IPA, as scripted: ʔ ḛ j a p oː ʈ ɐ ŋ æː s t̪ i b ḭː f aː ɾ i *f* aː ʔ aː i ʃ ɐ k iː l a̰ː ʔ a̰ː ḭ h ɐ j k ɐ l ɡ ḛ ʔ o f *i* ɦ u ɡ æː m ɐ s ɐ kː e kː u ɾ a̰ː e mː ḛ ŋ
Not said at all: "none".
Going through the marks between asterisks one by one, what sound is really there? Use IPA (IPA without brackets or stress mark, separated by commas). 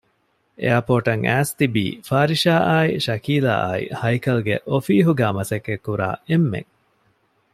ʃ, iː